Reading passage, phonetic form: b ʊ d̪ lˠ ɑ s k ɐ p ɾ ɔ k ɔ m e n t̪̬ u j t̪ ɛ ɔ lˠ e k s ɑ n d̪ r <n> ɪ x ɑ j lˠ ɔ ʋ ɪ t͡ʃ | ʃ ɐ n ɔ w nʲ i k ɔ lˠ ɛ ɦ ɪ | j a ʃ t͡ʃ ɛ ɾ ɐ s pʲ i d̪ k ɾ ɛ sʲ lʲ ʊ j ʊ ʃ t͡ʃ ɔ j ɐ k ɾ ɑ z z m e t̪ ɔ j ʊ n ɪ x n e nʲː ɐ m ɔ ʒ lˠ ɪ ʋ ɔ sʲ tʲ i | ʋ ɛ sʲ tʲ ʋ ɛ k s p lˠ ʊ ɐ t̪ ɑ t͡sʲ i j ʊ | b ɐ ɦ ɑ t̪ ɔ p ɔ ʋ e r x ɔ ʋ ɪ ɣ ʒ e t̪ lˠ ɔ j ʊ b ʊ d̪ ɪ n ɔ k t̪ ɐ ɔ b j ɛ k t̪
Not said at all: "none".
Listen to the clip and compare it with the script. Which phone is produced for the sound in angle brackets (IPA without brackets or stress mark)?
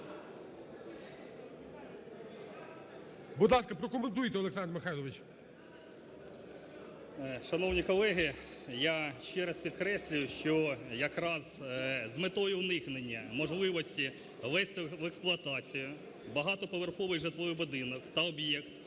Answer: m